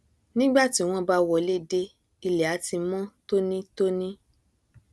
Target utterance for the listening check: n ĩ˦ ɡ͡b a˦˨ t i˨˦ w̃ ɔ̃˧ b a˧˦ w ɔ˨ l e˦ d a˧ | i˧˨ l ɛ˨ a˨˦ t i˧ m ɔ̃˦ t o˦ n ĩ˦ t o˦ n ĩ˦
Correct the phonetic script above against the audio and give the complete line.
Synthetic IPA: n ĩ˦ ɡ͡b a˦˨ t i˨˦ w̃ ɔ̃˧ b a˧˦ w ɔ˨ l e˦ d e˧ | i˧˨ l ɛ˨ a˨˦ t i˧ m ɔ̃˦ t o˦ n ĩ˦ t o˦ n ĩ˦